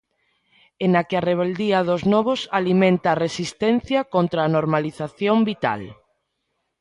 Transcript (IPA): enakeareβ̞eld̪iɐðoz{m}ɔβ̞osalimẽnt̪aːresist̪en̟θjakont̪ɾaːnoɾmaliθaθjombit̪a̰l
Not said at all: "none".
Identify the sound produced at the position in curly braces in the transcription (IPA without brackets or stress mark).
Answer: n